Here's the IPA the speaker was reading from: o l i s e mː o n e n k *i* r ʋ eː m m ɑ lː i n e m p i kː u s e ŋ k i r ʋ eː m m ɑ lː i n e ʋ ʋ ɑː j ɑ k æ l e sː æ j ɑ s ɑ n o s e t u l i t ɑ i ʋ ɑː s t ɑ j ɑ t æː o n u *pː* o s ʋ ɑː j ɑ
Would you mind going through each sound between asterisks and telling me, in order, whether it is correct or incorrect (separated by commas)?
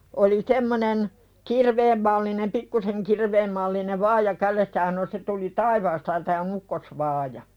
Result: correct, incorrect